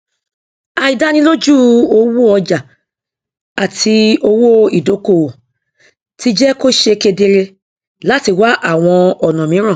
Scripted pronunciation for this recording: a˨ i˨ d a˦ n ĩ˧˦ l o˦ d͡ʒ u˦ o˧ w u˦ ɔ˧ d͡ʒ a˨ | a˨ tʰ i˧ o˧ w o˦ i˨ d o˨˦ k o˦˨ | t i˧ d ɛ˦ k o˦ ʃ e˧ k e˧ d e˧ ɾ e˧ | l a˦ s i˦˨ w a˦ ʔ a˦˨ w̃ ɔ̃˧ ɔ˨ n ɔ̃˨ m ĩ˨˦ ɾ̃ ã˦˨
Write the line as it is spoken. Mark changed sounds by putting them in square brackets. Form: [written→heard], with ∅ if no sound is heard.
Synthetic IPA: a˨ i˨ d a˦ n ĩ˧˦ l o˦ d͡ʒ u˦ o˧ w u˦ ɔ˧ d͡ʒ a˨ | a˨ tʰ i˧ o˧ w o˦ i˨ d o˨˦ k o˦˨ | t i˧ [d→d͡ʒ] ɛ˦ k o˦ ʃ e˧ k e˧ d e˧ ɾ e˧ | l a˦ [s→t] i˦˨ w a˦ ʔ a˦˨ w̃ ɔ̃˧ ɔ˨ n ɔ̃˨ m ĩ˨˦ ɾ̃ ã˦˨